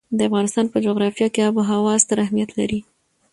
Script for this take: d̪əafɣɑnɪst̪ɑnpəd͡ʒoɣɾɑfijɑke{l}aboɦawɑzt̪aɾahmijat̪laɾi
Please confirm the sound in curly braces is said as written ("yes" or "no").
no